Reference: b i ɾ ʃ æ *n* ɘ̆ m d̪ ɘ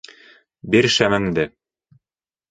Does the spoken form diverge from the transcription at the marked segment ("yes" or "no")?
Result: yes